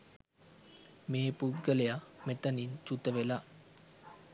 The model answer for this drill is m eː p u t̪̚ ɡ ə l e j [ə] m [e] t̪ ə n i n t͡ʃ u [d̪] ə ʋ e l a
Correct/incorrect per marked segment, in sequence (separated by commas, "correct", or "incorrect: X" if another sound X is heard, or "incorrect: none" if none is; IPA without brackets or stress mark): incorrect: a, correct, incorrect: t̪